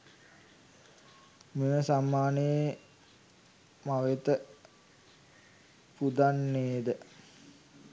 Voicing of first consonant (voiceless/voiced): voiced